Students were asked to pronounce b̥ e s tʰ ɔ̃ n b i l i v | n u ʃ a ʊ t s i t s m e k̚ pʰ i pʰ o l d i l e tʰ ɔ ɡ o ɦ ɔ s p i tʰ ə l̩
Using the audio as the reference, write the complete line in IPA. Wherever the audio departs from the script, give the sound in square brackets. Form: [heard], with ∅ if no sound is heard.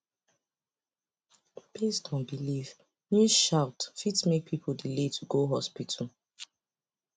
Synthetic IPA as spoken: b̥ e s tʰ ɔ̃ n b i l i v | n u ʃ a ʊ t [f] i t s m e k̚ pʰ i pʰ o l d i l e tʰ [u] ɡ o ɦ ɔ s p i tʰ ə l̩